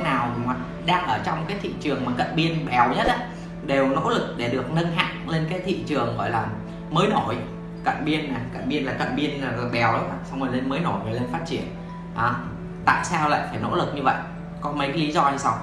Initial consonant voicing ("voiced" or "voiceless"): voiced